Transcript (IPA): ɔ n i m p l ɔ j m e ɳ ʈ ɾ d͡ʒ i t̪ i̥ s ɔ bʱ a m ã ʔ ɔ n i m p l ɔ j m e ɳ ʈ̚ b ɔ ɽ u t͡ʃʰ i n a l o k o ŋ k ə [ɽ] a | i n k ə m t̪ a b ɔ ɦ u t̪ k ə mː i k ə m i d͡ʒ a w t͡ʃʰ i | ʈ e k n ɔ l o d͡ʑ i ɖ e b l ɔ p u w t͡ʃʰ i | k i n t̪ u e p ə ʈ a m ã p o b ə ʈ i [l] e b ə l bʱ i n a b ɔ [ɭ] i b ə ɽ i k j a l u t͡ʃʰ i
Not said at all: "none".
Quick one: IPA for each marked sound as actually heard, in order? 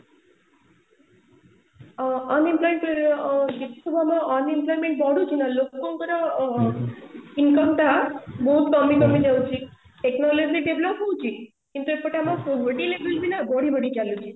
ɾ, l, ɽ

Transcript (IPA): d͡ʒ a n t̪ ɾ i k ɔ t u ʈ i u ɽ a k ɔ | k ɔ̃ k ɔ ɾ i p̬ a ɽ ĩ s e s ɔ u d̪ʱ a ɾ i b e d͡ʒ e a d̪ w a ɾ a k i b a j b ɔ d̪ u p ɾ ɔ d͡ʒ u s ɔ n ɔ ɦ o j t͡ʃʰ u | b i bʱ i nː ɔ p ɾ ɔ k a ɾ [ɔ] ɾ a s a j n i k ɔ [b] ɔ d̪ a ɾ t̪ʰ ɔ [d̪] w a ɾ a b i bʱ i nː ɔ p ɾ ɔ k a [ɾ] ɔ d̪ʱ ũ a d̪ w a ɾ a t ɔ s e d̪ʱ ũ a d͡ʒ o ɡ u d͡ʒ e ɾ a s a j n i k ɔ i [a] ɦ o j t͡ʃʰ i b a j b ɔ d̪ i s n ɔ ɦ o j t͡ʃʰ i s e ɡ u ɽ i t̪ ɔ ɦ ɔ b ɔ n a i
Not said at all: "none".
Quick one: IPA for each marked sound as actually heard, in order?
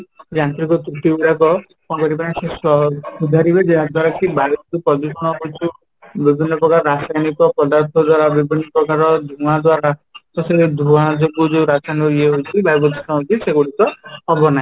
ɔ, p, d̪, ɾ, e

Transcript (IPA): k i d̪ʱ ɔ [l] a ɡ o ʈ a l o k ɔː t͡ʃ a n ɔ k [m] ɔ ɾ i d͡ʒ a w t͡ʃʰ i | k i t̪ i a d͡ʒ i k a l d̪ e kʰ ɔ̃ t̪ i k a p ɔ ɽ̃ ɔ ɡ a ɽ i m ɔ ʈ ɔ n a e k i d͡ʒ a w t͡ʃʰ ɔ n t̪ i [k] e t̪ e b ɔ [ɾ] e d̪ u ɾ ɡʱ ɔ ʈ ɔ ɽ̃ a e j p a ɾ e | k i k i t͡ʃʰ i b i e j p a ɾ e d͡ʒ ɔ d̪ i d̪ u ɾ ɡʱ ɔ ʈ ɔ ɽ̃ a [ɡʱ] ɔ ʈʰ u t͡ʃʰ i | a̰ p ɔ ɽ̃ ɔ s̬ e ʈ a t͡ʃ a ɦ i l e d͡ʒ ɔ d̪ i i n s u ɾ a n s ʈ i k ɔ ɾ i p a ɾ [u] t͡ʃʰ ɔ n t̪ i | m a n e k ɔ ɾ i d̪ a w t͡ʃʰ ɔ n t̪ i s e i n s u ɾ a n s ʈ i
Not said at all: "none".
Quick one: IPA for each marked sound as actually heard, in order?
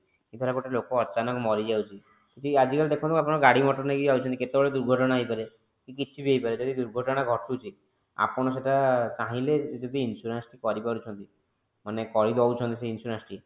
ɾ, m, k, ɭ, ɡʱ, u

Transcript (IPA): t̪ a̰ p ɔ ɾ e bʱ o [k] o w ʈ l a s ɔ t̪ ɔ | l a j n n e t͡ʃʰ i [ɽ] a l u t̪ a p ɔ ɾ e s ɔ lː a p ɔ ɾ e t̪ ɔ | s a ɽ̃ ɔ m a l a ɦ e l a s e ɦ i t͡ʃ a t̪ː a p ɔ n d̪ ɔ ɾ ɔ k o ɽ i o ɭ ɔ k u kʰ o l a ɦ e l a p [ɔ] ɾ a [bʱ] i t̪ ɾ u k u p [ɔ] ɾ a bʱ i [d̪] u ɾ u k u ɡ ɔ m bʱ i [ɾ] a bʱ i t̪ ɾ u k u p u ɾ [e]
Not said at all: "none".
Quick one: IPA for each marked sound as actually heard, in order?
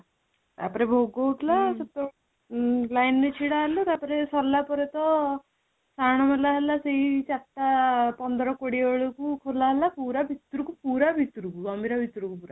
ɡ, ɽ, u, bʱ, u, t̪, ɾ, a

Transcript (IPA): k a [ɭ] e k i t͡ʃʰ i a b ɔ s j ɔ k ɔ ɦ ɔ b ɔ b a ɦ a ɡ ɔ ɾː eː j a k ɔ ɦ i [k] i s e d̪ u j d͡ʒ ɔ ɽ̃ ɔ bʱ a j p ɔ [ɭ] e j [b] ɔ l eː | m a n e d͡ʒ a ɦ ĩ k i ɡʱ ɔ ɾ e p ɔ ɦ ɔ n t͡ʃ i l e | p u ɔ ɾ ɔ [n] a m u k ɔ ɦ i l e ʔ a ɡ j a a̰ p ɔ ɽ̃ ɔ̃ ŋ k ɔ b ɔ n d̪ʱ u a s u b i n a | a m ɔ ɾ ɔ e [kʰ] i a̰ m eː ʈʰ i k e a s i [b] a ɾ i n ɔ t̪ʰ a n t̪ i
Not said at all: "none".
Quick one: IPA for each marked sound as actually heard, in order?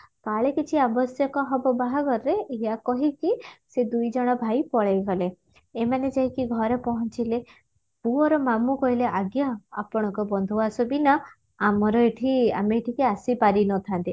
ɭ, k, ɭ, ɡ, m, ʈʰ, p

